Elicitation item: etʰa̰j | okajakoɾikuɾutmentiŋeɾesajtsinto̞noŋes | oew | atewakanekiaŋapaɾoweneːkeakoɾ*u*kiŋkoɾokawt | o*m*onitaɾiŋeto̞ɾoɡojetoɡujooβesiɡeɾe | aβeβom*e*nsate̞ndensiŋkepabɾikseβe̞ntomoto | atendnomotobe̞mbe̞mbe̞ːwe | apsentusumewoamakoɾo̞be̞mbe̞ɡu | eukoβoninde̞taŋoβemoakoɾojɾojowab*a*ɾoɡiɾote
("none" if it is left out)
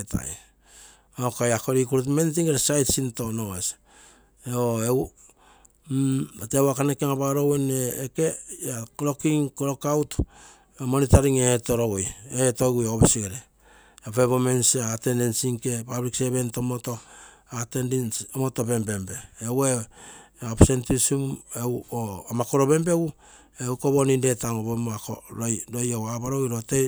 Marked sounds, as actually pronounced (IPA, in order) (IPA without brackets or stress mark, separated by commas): o, m, e, a